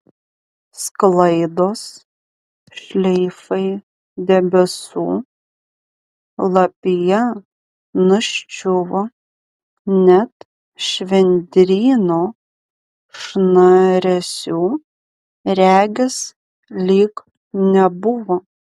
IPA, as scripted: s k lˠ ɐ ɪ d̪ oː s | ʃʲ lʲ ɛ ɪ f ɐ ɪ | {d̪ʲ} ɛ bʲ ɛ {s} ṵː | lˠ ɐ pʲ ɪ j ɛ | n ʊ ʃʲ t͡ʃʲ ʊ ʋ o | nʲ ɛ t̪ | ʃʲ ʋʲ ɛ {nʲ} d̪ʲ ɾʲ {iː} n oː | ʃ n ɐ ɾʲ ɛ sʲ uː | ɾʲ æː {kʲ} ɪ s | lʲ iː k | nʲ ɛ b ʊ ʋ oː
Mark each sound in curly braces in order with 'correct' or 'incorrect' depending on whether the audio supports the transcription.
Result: correct, correct, correct, correct, incorrect

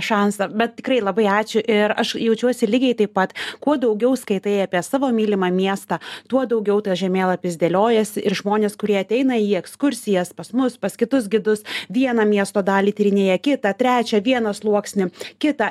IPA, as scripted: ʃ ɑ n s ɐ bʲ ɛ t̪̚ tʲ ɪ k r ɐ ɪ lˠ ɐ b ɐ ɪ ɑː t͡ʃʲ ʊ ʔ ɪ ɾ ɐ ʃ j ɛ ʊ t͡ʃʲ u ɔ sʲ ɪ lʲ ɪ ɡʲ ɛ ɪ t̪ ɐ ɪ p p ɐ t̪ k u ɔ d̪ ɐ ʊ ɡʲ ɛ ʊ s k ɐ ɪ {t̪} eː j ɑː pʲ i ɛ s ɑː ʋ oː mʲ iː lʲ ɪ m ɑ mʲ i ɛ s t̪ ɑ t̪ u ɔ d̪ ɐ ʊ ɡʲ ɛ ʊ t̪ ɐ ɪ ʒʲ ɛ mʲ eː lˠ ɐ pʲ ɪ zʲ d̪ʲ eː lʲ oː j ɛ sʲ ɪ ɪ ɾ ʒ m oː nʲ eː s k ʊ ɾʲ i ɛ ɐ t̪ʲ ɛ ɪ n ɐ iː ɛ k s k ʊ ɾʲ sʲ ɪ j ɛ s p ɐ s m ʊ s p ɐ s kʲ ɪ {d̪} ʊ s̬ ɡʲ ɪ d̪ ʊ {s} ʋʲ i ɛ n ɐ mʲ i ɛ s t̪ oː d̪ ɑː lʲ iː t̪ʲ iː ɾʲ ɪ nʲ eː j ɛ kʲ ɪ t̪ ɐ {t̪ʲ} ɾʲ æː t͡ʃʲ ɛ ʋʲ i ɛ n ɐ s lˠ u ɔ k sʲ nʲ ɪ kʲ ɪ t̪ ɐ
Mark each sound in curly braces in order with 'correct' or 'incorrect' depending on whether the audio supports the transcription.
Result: correct, incorrect, correct, correct

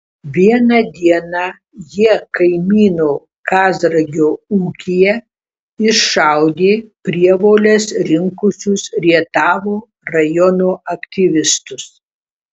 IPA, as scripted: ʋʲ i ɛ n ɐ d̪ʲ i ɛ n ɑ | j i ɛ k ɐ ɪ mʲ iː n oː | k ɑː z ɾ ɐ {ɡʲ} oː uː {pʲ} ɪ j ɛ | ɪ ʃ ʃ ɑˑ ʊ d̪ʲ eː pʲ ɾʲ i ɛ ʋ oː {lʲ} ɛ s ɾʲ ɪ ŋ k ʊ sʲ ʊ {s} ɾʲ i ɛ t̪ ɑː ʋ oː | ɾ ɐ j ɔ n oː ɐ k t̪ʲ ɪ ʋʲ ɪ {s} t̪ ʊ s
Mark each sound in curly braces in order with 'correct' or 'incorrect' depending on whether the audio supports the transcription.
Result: correct, incorrect, correct, correct, correct

